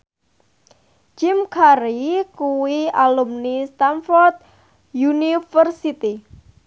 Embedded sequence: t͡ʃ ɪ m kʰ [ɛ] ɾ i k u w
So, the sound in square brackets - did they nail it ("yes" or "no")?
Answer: no